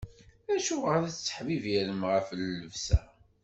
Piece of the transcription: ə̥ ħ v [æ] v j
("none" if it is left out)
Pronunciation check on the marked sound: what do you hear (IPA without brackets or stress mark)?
i